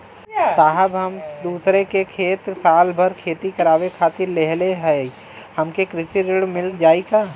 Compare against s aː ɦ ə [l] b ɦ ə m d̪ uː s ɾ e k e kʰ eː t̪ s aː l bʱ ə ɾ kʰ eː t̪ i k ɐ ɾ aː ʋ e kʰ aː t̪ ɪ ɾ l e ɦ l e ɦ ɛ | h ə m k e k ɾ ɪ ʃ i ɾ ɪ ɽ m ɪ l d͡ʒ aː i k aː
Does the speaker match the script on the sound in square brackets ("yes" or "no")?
no